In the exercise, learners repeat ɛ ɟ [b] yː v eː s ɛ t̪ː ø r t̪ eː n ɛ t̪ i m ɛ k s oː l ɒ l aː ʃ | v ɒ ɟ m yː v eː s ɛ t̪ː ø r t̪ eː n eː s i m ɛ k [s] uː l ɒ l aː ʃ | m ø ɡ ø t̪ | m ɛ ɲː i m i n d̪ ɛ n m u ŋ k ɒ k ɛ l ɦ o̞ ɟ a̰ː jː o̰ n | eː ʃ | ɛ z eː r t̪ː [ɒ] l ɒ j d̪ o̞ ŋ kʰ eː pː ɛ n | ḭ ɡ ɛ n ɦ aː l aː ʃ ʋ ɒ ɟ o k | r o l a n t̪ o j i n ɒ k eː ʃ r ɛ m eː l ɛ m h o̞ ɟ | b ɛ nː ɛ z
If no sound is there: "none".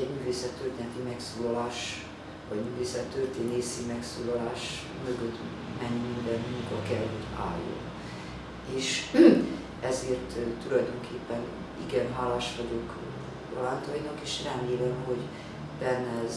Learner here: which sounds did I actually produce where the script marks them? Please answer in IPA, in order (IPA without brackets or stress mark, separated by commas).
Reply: m, s, u